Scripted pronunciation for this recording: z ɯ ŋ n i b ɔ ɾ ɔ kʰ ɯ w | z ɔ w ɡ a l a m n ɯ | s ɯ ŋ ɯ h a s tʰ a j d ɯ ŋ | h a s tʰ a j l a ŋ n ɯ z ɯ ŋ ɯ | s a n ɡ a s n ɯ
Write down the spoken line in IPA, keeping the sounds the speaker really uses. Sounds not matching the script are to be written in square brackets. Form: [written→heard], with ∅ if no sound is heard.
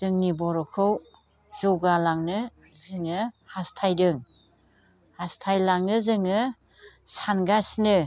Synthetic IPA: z ɯ ŋ n i b ɔ ɾ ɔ kʰ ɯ w | z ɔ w ɡ a l a [m→ŋ] n ɯ | [s→z] ɯ ŋ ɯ h a s tʰ a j d ɯ ŋ | h a s tʰ a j l a ŋ n ɯ z ɯ ŋ ɯ | s a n ɡ a s n ɯ